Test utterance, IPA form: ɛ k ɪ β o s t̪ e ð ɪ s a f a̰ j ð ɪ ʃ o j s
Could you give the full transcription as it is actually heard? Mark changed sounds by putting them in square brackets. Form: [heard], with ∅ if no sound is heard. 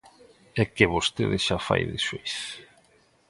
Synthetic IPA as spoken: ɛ k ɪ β o s t̪ e ð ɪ [ʃ] a f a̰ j ð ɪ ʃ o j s